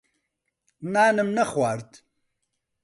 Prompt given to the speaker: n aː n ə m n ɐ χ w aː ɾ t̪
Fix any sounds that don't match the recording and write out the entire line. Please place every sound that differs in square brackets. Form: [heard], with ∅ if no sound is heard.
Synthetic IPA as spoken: n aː n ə m n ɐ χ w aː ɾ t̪